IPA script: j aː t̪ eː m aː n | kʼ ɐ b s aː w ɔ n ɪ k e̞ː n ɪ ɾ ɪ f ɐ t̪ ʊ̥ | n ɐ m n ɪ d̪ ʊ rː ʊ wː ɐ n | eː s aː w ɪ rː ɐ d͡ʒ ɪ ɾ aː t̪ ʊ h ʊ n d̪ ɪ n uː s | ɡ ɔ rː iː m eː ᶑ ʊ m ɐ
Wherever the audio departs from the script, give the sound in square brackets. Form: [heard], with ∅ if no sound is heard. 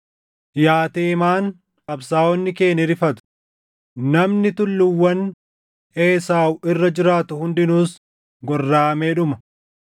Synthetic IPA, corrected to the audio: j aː t̪ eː m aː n | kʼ ɐ b s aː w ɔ [nː] ɪ k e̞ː n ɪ ɾ ɪ f ɐ t̪ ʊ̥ | n ɐ m n ɪ [t̪] ʊ [lː] ʊ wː ɐ n | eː s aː w ɪ rː ɐ d͡ʒ ɪ ɾ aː t̪ ʊ h ʊ n d̪ ɪ n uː s | ɡ ɔ rː [aː] m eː ᶑ ʊ m ɐ